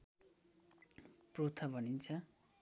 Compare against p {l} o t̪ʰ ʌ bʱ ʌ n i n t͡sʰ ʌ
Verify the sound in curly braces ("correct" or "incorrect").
incorrect